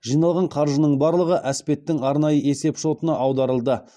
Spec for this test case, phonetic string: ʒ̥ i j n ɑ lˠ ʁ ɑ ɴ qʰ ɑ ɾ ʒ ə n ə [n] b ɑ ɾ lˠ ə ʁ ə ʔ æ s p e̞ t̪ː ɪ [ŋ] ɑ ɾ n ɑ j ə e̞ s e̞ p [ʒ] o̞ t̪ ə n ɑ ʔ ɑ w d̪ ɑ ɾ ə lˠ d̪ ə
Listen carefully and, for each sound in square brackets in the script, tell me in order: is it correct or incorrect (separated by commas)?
incorrect, correct, incorrect